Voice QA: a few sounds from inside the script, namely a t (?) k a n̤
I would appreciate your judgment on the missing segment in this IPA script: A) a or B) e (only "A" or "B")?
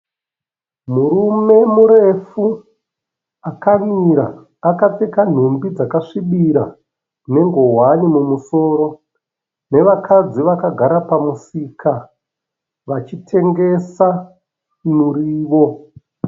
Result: B